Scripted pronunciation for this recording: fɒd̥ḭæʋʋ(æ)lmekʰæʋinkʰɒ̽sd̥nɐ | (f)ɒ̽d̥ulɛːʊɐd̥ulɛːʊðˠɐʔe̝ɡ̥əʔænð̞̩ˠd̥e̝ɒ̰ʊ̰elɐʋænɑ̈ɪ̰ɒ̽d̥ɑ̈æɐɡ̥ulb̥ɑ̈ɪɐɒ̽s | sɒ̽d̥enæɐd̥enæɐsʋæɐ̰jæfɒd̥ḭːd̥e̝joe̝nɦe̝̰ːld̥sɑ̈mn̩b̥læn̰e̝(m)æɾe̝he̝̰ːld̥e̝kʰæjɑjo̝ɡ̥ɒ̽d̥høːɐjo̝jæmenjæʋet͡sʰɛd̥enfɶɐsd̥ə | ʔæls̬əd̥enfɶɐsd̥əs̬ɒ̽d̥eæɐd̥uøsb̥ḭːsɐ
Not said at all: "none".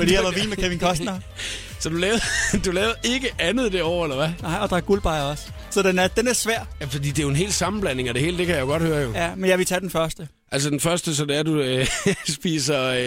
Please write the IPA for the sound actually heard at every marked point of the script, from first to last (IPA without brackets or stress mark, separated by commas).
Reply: i, s, ŋ